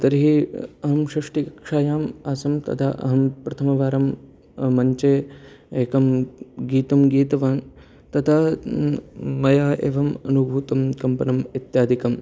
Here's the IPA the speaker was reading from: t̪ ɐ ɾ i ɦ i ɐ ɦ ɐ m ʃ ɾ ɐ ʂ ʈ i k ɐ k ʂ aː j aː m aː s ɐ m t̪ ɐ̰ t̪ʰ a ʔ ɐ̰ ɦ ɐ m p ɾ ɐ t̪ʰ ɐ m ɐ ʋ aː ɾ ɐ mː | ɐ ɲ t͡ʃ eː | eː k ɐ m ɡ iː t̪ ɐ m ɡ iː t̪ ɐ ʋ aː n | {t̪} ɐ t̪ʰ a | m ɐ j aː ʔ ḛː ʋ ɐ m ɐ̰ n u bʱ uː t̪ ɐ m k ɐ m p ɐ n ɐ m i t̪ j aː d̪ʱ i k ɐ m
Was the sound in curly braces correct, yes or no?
yes